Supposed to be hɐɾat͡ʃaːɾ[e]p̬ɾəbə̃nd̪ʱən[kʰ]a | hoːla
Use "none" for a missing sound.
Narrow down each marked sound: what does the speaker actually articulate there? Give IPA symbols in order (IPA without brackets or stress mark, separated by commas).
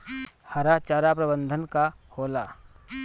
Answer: a, k